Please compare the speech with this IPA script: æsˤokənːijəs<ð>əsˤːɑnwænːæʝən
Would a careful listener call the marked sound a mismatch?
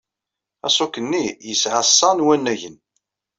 yes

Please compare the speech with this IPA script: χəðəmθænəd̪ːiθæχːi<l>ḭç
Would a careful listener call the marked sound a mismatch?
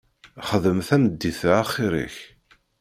yes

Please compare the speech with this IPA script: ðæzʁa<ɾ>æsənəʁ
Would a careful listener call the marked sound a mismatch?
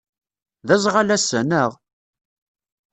yes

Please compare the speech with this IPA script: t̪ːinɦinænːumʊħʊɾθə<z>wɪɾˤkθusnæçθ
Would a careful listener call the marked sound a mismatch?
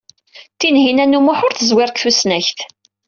no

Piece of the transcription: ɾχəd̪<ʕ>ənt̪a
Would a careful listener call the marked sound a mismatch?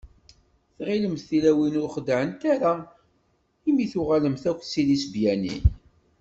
no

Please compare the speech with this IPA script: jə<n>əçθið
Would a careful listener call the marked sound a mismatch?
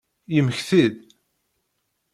yes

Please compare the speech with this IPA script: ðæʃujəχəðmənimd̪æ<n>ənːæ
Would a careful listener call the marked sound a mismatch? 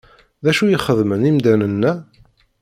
no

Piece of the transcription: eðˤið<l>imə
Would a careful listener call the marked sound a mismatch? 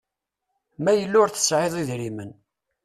yes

